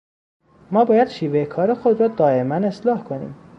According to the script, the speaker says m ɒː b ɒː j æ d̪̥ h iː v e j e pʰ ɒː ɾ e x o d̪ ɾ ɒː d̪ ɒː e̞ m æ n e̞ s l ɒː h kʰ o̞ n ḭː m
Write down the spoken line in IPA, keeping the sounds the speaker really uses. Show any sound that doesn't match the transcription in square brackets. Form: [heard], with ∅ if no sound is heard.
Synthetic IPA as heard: m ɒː b ɒː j æ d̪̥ [ʃ] iː v e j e [kʰ] ɒː ɾ e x o d̪ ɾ ɒː d̪ ɒː e̞ m æ n e̞ s l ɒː h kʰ o̞ n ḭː m